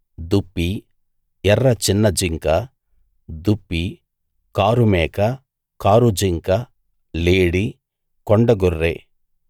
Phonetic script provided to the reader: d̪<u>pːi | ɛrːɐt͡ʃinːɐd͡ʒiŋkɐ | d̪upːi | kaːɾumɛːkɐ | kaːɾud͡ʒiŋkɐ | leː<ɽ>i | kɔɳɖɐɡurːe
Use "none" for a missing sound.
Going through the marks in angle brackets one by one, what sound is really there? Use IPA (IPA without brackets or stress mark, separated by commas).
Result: u, ɽ